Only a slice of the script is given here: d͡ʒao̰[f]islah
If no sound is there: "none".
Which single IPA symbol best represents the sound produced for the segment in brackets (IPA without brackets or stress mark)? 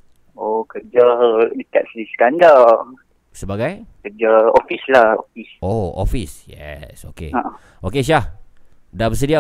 f